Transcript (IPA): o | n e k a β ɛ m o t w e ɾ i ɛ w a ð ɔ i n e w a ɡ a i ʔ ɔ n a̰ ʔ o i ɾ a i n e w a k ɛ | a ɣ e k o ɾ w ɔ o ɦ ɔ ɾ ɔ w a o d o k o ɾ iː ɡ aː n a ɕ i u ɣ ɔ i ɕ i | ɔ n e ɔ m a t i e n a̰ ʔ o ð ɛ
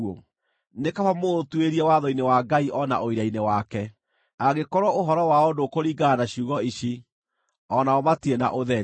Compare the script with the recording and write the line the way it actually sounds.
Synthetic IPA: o | n e k a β a m o t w e ɾ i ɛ w a ð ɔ i n e w a ɡ a i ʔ ɔ n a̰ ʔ o i ɾ a i n e w a k ɛ | a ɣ e k ɔ ɾ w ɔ o ɦ ɔ ɾ ɔ w a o d o k o ɾ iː ɡ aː n a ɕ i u ɣ ɔ i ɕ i | ɔ n a ɔ m a t i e n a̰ ʔ o ð ɛ